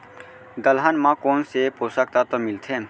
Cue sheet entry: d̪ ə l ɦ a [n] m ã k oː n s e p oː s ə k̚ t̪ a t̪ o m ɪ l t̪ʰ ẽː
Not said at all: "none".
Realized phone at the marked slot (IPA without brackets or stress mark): n